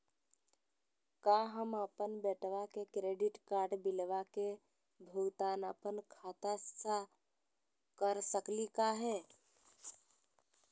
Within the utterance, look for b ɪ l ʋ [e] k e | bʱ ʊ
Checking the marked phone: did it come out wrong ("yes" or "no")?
yes